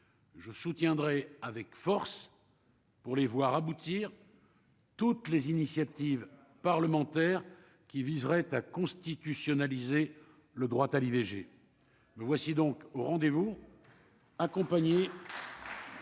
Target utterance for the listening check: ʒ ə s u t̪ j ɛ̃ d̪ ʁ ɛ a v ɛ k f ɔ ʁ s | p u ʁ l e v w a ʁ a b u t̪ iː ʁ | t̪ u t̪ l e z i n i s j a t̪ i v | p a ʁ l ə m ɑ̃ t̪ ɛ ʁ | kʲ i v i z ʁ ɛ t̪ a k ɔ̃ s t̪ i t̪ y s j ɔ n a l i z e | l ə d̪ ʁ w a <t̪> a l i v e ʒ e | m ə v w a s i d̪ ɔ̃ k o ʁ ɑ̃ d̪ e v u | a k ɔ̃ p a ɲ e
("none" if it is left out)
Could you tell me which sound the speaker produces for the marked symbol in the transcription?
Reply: t̪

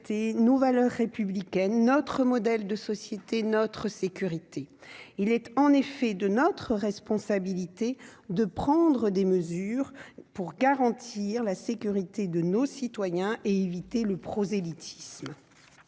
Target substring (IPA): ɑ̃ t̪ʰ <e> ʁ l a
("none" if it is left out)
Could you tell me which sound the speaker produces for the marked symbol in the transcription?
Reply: i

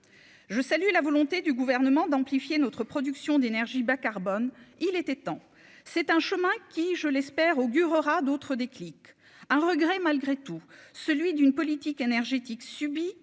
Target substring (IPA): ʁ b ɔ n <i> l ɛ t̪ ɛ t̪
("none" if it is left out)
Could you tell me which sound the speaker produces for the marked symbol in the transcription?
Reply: i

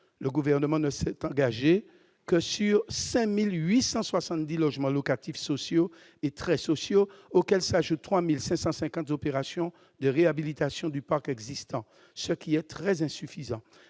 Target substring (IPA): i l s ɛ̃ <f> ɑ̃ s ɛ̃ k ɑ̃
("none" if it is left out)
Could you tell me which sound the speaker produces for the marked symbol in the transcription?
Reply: s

